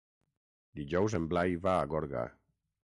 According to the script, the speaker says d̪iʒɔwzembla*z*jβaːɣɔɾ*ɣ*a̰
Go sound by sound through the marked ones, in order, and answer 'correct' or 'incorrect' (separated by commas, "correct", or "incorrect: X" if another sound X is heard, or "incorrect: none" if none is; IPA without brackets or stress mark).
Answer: incorrect: none, correct